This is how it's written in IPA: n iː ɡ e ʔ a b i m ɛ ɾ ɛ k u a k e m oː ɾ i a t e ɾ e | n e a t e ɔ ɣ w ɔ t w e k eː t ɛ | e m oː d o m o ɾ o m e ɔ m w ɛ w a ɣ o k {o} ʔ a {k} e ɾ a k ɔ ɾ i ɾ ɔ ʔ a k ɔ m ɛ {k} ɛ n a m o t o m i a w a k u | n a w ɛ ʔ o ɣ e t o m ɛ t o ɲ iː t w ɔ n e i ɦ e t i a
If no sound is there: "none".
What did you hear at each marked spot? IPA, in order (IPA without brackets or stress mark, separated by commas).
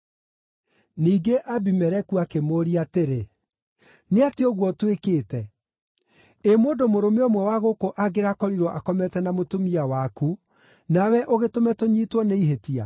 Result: o, ɡ, t